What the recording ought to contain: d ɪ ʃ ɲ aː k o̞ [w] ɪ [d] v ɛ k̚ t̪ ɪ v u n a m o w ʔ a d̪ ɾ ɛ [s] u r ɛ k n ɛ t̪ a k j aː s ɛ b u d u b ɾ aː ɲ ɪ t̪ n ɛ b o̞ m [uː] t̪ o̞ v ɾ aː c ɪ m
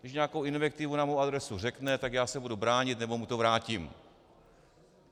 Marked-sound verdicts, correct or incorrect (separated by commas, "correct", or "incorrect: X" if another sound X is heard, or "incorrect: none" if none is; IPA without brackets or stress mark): correct, incorrect: n, correct, incorrect: u